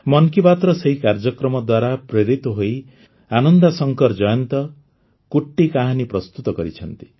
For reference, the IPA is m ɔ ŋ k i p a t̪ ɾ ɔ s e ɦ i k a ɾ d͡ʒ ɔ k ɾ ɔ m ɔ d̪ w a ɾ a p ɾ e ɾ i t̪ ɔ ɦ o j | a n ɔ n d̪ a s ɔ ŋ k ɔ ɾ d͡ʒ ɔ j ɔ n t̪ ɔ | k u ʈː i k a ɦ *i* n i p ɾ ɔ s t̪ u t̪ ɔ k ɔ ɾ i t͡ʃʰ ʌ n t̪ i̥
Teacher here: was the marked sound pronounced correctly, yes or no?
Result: no